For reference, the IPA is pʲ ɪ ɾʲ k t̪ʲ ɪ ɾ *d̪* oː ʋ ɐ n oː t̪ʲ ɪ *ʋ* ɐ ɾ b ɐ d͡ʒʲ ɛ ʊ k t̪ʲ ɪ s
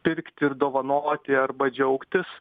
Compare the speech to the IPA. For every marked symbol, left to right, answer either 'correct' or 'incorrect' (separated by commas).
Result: correct, incorrect